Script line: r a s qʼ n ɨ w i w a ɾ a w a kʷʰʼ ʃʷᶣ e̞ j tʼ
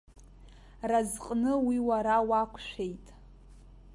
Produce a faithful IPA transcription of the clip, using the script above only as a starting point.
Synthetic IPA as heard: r a z qʼ n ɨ w i w a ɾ a w a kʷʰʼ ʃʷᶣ e̞ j tʼ